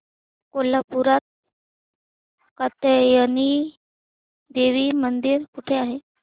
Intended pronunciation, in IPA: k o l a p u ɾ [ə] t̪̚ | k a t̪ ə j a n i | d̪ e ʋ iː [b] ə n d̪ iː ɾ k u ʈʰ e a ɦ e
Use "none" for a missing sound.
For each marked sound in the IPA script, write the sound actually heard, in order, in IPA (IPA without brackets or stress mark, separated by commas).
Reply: a, m